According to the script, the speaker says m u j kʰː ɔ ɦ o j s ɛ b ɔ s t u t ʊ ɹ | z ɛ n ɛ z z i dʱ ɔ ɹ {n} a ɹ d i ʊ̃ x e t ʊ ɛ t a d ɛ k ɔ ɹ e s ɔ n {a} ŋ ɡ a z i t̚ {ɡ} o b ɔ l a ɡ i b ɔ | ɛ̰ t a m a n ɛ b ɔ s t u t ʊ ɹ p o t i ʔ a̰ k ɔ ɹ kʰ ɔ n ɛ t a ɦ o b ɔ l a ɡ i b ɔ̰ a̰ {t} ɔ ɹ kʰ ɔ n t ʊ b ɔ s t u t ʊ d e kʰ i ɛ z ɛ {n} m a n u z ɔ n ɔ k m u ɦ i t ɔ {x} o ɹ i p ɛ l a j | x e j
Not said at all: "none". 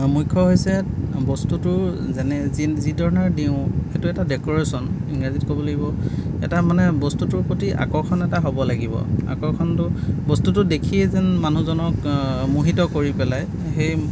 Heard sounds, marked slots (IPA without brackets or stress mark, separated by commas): n, i, k, k, n, k